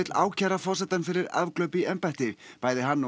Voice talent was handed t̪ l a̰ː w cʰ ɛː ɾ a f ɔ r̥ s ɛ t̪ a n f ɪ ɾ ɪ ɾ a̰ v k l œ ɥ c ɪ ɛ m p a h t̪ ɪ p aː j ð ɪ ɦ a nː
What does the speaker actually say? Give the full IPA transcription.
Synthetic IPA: t̪ l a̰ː w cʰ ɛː ɾ a f ɔ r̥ s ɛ t̪ a n f ɪ ɾ ɪ ɾ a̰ v k l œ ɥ p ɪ ɛ m p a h t̪ ɪ p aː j ð ɪ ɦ a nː